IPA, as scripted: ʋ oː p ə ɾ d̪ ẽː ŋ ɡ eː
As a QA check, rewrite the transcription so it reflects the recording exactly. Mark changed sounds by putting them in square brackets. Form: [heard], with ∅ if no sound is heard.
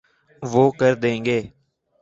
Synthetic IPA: ʋ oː [k] ə ɾ d̪ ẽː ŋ ɡ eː